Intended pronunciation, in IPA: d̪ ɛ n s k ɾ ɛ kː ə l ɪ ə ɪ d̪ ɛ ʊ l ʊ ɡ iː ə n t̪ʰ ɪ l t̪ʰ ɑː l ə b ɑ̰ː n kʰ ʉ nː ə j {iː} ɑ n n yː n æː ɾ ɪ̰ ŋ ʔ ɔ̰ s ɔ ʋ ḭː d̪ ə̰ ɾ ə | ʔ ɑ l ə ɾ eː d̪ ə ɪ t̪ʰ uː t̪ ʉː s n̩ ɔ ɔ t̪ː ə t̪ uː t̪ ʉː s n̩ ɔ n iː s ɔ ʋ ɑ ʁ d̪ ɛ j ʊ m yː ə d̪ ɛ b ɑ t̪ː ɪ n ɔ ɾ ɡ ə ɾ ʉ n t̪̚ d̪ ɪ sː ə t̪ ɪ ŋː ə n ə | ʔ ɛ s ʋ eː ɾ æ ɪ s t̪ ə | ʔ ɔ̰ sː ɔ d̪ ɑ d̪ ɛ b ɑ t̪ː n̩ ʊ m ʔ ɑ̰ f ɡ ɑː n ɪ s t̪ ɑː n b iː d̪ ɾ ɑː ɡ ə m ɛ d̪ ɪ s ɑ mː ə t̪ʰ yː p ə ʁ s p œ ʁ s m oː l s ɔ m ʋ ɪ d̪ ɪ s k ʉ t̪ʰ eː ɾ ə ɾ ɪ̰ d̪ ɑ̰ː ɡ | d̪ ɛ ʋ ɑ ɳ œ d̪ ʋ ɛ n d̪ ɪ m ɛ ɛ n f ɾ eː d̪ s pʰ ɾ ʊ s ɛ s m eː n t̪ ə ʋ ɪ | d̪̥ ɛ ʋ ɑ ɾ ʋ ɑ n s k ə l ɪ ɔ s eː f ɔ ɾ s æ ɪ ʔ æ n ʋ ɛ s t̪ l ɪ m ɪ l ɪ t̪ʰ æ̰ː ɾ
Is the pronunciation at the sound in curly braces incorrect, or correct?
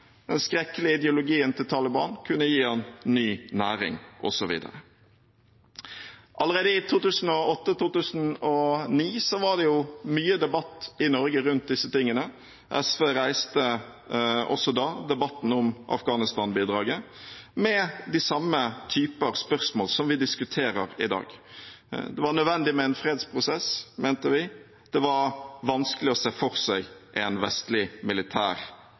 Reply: correct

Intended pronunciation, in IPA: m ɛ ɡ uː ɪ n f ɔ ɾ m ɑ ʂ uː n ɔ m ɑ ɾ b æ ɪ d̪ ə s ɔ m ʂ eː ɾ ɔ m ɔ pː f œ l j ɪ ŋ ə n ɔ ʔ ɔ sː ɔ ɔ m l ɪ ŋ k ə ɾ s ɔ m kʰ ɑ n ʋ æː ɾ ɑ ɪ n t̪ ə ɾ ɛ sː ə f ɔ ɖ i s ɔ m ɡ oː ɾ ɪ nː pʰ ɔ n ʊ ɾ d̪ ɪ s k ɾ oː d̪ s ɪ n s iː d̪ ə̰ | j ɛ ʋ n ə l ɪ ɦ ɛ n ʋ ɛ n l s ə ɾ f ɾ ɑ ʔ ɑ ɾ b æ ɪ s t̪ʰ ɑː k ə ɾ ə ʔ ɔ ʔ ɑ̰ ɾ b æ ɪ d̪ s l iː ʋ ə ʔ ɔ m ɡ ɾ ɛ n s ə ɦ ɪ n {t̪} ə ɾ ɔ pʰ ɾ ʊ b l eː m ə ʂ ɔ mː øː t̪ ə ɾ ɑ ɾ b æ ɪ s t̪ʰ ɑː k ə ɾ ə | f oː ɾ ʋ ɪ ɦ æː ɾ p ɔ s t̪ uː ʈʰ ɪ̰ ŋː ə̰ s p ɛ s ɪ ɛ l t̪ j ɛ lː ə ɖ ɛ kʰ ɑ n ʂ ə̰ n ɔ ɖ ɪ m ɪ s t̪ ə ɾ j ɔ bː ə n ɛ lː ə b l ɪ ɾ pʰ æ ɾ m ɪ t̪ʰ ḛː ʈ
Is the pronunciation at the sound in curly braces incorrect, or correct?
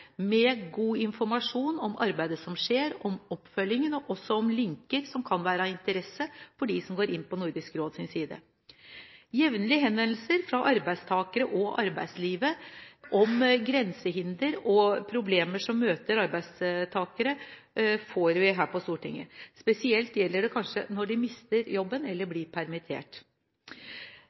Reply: incorrect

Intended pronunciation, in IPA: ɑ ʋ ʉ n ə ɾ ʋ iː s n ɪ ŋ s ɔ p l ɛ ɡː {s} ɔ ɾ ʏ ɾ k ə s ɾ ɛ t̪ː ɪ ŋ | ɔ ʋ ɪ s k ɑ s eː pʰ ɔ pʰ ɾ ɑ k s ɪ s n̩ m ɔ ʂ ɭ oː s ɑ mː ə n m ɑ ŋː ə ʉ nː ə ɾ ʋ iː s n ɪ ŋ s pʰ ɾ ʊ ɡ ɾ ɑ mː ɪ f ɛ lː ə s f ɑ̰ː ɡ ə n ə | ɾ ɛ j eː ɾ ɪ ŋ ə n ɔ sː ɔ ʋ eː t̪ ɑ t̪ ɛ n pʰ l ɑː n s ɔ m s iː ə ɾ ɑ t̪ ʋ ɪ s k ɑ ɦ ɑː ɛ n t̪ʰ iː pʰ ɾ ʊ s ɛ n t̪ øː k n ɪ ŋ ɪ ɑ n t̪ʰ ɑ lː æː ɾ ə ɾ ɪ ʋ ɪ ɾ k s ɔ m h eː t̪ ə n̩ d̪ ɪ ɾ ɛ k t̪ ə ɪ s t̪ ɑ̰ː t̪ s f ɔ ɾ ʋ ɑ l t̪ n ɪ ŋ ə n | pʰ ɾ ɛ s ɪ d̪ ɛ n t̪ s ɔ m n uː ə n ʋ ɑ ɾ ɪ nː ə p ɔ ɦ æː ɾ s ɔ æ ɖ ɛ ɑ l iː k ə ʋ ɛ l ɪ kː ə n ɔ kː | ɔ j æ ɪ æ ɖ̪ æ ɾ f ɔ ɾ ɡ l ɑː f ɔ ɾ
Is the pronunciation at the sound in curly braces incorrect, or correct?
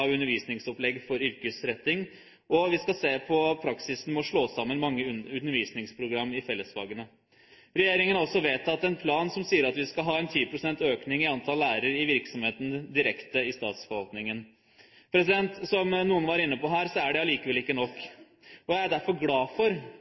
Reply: incorrect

